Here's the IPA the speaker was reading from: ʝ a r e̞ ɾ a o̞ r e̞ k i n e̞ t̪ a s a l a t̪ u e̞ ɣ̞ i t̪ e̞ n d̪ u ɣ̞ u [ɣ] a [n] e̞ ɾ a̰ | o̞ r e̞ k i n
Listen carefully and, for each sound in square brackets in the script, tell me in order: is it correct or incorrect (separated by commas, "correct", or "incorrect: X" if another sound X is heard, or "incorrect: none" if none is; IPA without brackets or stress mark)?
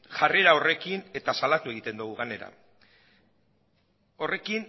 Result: correct, correct